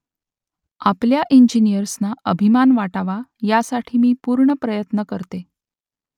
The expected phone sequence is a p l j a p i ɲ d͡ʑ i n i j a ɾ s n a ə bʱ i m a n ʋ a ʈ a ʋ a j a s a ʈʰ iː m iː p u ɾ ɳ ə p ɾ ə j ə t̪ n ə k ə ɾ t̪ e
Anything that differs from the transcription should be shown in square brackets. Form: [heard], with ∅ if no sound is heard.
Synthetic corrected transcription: a p l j a [ʔ] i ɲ d͡ʑ i n i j [ə] ɾ s n a ə bʱ i m a n ʋ a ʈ a ʋ a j a s a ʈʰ iː m iː p u ɾ ɳ ə p ɾ ə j ə t̪ n ə k ə ɾ t̪ e